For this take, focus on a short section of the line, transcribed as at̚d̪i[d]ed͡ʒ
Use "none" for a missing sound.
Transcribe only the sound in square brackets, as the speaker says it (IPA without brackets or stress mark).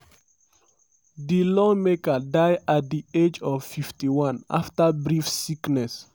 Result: none